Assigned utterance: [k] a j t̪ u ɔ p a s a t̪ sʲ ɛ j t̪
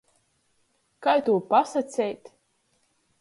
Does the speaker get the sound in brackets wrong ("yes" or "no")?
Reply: no